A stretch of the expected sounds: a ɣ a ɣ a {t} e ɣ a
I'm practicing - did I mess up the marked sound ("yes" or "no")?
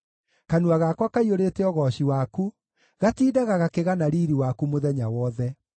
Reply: yes